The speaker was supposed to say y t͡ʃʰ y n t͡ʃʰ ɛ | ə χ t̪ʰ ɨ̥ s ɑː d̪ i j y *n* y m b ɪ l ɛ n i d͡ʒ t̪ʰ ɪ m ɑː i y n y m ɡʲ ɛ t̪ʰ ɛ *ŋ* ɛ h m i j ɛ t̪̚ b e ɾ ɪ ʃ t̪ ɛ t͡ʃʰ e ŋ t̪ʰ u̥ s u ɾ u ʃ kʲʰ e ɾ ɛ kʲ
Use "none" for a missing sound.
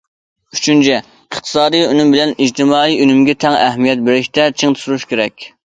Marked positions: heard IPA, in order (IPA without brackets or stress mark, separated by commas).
n, ŋ